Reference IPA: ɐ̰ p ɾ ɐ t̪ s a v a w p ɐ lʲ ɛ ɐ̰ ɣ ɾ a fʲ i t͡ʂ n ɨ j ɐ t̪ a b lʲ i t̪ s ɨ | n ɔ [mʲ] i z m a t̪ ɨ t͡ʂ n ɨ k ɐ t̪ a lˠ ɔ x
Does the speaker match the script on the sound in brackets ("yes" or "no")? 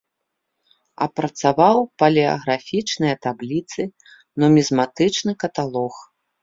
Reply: yes